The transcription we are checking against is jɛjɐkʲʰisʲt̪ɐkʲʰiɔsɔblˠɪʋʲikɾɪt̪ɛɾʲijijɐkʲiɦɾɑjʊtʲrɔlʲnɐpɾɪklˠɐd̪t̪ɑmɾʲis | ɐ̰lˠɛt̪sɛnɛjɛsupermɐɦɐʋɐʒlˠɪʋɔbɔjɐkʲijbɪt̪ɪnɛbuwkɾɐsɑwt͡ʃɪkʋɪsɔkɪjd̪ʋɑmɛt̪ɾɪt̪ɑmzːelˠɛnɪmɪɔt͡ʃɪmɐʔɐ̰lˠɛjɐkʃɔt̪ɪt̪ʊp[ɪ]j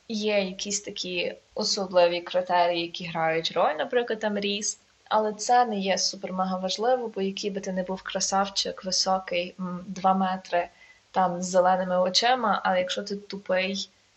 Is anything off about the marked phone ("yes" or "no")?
no